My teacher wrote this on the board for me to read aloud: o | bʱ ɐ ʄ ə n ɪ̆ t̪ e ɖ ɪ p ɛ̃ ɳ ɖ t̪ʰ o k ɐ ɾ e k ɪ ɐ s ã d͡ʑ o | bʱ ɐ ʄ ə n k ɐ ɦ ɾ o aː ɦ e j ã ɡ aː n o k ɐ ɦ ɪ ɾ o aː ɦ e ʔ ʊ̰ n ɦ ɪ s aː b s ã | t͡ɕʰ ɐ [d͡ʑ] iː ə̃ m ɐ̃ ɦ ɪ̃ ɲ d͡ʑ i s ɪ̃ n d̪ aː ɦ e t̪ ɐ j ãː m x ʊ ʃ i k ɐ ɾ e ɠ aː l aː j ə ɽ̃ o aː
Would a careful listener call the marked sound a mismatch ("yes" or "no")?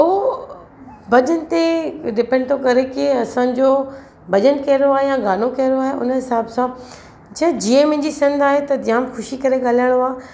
no